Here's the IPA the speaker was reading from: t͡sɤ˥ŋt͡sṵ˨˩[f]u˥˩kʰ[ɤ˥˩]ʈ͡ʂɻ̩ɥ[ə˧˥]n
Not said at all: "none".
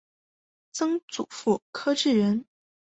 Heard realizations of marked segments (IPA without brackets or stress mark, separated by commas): f, ɤ˥, ə˧˥